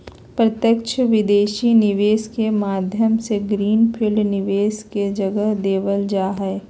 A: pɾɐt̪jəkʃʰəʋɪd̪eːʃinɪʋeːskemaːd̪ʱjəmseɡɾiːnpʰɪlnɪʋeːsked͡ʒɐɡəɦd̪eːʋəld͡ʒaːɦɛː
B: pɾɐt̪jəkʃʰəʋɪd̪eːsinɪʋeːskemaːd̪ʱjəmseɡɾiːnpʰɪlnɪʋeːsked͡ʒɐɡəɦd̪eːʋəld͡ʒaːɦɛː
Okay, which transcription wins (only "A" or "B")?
A